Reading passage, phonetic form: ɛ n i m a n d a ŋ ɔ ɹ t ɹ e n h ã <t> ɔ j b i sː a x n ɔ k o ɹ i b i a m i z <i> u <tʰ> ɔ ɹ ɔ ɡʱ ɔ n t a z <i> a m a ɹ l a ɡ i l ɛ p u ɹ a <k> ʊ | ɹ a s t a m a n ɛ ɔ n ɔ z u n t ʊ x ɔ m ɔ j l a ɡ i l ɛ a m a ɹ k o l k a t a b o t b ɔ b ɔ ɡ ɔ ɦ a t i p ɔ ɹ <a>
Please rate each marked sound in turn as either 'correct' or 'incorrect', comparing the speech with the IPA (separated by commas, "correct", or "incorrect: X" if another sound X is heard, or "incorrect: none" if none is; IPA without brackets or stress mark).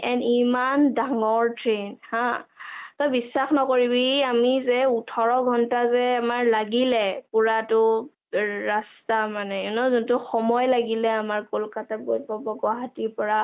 correct, incorrect: ɛ, correct, incorrect: ɛ, incorrect: t, correct